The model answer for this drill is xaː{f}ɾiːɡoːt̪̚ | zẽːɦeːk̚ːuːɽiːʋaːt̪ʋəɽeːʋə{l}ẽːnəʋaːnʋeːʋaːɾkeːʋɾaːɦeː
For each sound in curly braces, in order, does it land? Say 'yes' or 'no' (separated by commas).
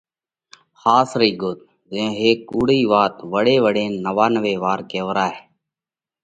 no, no